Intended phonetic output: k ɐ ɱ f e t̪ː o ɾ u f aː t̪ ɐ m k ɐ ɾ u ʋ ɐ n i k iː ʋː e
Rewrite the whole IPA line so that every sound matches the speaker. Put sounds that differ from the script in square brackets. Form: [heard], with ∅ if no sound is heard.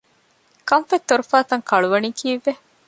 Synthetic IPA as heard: k ɐ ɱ f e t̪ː o ɾ u f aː t̪ ɐ [ŋ] k ɐ [ɭ] u ʋ ɐ n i k iː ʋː e